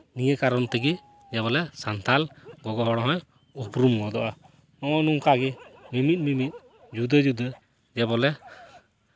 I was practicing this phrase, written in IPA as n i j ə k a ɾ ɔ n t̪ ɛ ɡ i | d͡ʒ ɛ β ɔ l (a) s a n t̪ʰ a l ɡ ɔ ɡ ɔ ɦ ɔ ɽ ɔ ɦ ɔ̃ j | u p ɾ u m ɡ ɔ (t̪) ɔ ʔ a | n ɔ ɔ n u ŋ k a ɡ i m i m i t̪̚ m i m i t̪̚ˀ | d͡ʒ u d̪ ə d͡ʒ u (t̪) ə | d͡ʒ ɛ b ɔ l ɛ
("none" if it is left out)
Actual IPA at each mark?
ɛ, d̪, d̪

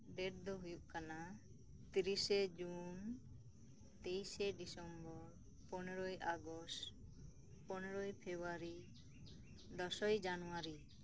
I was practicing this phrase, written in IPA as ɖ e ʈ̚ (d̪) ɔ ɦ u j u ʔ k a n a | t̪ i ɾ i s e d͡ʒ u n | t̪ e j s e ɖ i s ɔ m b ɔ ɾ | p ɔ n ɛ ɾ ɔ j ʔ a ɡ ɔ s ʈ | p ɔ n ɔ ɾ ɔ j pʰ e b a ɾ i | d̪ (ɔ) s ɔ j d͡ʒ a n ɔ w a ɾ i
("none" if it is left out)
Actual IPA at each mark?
d̪, ɔ

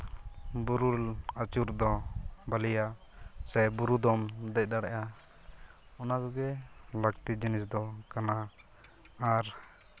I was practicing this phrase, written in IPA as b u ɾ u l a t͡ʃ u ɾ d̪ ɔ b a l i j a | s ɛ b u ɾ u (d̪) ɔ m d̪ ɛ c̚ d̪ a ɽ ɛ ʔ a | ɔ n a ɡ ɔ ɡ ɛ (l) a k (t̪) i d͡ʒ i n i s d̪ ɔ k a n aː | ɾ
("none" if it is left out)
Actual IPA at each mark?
d̪, l, t̪

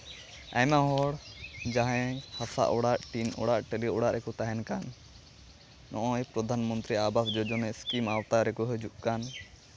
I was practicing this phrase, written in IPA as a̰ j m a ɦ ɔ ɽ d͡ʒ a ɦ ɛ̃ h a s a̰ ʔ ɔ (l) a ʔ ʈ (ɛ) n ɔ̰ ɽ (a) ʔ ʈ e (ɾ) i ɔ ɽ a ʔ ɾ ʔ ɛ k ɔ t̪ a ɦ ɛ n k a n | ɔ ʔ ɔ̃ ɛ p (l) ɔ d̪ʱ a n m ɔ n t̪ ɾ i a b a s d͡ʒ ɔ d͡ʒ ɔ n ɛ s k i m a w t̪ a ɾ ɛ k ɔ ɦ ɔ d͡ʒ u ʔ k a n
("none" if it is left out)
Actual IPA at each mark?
ɽ, i, a, l, ɾ

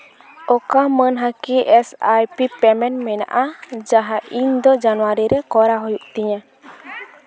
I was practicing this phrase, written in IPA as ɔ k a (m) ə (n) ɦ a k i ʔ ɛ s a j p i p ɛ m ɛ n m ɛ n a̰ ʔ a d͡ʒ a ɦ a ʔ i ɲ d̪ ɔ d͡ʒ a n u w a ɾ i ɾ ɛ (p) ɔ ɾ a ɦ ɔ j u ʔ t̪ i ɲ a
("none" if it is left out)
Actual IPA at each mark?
m, n, k

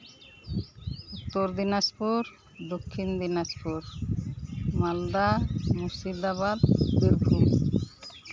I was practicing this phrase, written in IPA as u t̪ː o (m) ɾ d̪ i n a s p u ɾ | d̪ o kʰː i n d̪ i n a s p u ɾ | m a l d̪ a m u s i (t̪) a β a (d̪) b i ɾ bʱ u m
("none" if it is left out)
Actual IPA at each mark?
none, d̪, d̪

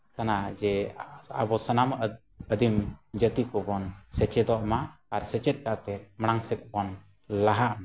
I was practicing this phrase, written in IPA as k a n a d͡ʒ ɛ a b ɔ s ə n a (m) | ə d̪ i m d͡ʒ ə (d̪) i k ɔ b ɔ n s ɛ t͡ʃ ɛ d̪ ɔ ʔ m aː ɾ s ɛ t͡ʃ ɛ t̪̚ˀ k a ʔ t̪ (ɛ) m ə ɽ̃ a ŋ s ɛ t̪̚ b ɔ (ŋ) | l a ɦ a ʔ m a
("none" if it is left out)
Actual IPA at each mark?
m, t̪, ɛ, n

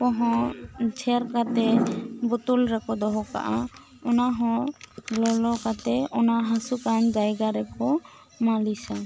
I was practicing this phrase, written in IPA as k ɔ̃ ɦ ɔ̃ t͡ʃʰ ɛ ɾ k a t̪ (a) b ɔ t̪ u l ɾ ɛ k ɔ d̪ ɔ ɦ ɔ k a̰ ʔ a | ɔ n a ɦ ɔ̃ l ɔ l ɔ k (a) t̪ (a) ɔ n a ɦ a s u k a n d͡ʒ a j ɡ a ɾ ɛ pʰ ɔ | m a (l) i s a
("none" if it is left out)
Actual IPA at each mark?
ɛ, a, ɛ, l

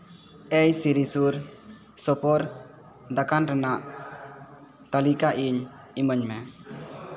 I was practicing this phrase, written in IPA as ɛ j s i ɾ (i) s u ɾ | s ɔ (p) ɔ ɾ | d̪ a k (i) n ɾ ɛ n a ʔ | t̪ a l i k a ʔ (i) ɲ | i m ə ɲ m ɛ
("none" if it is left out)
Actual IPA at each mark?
i, p, a, i

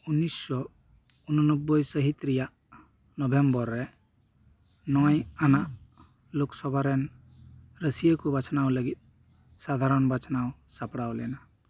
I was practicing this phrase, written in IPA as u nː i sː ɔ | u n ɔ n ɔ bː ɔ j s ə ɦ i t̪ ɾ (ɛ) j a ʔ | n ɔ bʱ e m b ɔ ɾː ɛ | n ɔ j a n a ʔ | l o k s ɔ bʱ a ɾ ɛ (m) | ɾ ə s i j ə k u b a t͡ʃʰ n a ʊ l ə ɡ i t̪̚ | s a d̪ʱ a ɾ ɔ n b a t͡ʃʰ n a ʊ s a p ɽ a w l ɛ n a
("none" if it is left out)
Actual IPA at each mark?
i, n

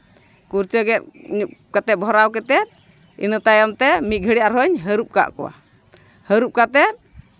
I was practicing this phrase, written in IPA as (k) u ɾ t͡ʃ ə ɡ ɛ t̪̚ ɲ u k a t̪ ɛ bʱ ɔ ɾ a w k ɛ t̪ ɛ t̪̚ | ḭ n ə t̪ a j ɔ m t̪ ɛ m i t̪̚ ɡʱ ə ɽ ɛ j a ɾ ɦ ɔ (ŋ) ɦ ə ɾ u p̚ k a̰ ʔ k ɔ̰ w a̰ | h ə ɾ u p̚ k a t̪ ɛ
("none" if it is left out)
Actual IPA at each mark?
k, ɲ

